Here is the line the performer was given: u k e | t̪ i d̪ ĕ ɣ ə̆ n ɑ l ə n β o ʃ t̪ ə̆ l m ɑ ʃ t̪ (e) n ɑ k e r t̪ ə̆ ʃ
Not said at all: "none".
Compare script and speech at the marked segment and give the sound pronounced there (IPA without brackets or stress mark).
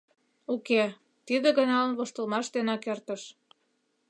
e